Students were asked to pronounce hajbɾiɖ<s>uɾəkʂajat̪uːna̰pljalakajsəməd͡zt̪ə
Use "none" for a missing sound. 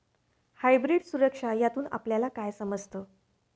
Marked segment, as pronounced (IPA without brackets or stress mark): s